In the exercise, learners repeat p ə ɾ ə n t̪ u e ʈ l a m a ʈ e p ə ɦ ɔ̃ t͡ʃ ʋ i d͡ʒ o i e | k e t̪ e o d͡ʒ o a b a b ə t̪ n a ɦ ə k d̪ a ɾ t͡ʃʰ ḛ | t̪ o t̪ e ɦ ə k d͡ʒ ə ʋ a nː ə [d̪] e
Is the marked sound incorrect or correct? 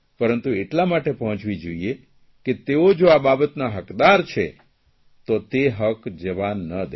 correct